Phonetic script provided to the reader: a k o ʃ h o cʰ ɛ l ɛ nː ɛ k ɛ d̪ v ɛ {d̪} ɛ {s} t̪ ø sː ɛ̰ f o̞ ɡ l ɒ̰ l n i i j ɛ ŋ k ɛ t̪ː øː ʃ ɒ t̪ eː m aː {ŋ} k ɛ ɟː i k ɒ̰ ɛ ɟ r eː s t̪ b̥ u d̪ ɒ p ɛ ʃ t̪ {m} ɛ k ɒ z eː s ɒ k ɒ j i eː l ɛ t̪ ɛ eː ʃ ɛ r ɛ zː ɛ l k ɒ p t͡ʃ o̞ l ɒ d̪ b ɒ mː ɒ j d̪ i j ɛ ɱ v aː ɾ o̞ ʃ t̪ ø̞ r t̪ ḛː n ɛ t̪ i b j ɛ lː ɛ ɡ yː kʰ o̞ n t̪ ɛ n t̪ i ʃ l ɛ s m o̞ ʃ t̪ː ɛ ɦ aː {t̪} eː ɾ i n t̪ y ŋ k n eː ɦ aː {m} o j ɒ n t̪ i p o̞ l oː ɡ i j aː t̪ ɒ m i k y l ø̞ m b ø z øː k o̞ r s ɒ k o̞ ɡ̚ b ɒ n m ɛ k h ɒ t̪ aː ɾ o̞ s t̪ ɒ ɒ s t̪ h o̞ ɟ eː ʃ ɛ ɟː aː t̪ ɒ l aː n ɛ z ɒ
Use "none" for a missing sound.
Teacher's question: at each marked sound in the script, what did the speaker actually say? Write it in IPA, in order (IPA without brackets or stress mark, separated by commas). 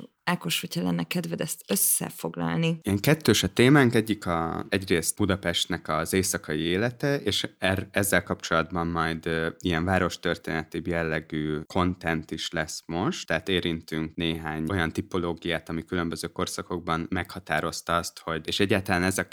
d̪, s, ŋ, n, t̪, ɲ